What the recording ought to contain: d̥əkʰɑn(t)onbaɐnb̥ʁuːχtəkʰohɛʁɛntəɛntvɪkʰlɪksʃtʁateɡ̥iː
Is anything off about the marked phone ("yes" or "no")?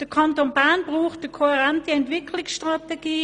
no